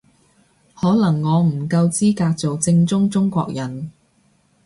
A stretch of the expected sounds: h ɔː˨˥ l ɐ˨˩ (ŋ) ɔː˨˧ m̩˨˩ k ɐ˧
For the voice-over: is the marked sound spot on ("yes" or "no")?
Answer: no